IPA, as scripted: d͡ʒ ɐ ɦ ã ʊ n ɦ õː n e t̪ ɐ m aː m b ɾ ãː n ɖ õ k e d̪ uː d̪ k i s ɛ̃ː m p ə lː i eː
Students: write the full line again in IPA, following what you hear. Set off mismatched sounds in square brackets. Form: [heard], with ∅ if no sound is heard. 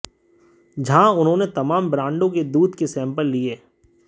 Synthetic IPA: d͡ʒ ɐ ɦ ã ʊ n ɦ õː n e t̪ ɐ m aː m b ɾ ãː [ɳ] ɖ õ k e d̪ uː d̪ k [e] s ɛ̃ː m p ə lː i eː

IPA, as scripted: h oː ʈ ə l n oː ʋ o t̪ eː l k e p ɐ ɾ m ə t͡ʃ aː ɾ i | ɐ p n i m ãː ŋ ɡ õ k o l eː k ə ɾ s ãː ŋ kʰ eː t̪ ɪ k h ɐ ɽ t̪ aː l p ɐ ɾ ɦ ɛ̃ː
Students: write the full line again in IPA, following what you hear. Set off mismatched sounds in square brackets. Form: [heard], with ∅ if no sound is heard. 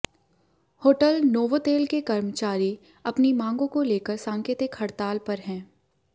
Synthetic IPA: h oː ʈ ə l n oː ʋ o t̪ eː l k e [k] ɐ ɾ m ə t͡ʃ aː ɾ i | ɐ p n i m ãː ŋ ɡ õ k o l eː k ə ɾ s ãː ŋ [k] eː t̪ ɪ k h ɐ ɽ t̪ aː l p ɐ ɾ ɦ ɛ̃ː

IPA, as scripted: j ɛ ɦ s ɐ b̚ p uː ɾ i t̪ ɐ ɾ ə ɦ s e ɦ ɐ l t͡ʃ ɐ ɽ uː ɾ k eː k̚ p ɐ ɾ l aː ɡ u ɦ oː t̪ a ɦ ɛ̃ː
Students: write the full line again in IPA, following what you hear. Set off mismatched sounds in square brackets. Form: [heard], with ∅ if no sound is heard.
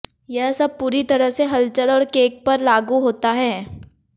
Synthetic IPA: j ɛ ɦ s ɐ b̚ p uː ɾ i t̪ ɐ ɾ ə ɦ s e ɦ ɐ l t͡ʃ [ə] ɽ [ɔː] ɾ k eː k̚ p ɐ ɾ l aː ɡ u ɦ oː t̪ a ɦ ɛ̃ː

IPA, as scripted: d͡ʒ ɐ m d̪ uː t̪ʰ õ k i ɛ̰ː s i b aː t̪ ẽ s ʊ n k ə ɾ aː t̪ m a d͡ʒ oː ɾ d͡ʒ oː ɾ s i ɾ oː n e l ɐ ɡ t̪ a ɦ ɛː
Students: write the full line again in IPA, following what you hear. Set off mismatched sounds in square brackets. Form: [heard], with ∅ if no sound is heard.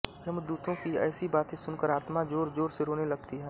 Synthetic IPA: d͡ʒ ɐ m d̪ uː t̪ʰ õ k i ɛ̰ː s i b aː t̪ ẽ s ʊ n k ə ɾ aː t̪ m a d͡ʒ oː ɾ d͡ʒ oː ɾ s [e] ɾ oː n e l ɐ ɡ t̪ [i] ɦ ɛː

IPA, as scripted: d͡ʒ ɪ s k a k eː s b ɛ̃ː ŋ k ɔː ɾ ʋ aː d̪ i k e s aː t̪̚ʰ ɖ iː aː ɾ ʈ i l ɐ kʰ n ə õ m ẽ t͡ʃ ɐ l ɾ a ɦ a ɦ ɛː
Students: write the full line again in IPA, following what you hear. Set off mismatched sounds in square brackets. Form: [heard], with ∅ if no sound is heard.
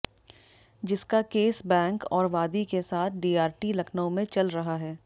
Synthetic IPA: d͡ʒ ɪ s k a k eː s b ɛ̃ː ŋ k ɔː ɾ ʋ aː d̪ i k e s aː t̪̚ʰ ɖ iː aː ɾ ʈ i l ɐ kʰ n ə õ m ẽ t͡ʃ ɐ l ɾ [ɐ] ɦ a ɦ ɛː

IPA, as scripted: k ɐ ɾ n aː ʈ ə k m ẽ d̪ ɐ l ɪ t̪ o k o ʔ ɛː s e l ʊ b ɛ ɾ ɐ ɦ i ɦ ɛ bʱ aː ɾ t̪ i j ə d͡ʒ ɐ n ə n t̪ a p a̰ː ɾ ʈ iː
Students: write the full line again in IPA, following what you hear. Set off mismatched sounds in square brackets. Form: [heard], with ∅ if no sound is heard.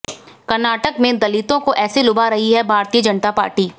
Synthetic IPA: k ɐ ɾ n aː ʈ ə k m ẽ d̪ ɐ l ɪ t̪ [õ] k o ʔ ɛː s e l ʊ b [a] ɾ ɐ ɦ i ɦ ɛ bʱ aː ɾ t̪ i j ə d͡ʒ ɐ n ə [∅] t̪ a p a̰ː ɾ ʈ iː

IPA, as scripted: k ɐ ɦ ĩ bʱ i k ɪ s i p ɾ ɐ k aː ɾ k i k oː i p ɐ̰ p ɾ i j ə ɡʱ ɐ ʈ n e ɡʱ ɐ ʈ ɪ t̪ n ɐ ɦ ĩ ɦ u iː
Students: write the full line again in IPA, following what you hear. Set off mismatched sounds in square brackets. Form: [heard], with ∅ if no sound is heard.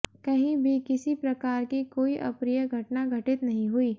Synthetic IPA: k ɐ ɦ ĩ bʱ i k ɪ s i p ɾ ɐ k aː ɾ k i k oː i [ʔ] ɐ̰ p ɾ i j ə ɡʱ ɐ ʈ n [a] ɡʱ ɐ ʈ ɪ t̪ n ɐ ɦ ĩ ɦ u iː

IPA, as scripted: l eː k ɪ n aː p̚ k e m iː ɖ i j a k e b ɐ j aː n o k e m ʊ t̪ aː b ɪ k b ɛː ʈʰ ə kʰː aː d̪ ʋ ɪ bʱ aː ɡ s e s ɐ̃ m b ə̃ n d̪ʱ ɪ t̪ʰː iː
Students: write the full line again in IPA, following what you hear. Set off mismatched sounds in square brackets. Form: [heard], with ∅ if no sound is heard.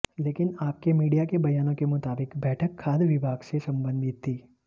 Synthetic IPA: l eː k ɪ n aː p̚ k e m iː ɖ i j a k e b ɐ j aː n [õ] k e m ʊ t̪ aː b ɪ k b ɛː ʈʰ ə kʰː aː d̪ ʋ ɪ bʱ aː ɡ s e s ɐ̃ m b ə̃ n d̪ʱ ɪ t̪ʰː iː

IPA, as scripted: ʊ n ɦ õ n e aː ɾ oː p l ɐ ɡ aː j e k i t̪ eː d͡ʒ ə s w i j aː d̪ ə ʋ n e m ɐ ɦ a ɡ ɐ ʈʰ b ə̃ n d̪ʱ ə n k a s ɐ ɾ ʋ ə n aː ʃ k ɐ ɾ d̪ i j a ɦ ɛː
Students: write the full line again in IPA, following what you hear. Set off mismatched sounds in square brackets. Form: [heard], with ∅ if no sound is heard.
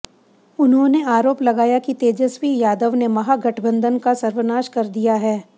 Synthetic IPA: ʊ n ɦ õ n e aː ɾ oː p l ɐ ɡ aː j [a] k i t̪ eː d͡ʒ ə s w i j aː d̪ ə ʋ n e m ɐ ɦ a ɡ ɐ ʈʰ b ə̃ n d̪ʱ ə n k a s ɐ ɾ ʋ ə n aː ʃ k ɐ ɾ d̪ i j a ɦ ɛː

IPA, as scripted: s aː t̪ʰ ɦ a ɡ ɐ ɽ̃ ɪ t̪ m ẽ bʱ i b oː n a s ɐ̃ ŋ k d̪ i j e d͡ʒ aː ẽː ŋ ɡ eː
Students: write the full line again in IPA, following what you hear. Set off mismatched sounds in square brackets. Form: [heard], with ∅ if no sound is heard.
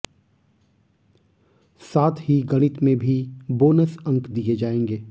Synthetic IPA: s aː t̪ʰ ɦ [i] ɡ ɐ ɽ̃ ɪ t̪ m ẽ bʱ i b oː n [ə] s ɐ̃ ŋ k d̪ i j e d͡ʒ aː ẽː ŋ ɡ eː

